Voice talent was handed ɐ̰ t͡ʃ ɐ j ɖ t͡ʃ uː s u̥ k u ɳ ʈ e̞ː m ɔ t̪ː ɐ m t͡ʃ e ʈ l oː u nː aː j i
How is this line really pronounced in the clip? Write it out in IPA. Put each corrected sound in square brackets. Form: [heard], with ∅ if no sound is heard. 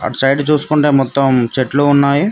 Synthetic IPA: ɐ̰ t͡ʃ ɐ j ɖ t͡ʃ uː s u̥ k u ɳ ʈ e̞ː m ɔ t̪ː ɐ m t͡ʃ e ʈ l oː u nː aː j i